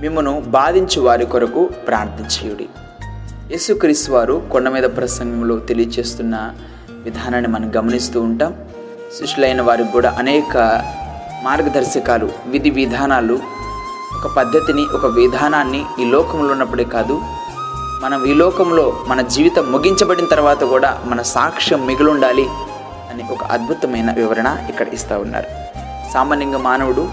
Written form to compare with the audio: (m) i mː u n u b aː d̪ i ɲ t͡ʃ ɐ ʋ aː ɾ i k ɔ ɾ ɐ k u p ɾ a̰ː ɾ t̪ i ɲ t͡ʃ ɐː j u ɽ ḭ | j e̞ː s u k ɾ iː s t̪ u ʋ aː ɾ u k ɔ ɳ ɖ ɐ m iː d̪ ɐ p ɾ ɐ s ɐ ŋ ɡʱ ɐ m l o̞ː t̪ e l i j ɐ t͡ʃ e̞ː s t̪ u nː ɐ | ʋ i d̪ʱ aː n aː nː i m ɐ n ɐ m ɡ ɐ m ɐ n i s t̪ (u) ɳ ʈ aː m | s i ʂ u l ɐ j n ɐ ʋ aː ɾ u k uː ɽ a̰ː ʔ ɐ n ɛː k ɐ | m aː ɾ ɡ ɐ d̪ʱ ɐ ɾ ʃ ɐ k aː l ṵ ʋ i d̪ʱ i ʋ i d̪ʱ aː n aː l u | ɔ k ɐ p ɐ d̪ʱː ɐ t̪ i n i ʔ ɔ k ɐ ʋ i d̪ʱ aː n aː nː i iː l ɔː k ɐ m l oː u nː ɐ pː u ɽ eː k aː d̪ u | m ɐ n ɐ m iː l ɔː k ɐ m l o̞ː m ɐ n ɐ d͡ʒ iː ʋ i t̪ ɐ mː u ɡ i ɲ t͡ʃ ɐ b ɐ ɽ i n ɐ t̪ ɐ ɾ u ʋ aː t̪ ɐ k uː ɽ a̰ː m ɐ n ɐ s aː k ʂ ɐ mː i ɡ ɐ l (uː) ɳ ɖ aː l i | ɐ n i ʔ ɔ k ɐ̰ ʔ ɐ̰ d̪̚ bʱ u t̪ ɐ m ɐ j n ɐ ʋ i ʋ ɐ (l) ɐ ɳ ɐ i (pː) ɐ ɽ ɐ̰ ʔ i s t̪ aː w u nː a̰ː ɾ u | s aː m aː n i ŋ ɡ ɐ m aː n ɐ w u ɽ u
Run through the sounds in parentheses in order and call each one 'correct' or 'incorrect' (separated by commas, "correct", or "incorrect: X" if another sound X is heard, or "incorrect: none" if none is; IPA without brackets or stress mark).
correct, incorrect: uː, incorrect: u, incorrect: ɾ, incorrect: kː